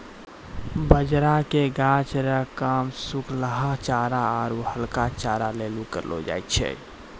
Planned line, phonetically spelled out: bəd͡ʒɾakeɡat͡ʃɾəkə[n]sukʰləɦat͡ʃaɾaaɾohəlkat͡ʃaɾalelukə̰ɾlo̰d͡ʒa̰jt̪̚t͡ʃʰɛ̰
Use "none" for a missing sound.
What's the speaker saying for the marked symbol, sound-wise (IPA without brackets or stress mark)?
m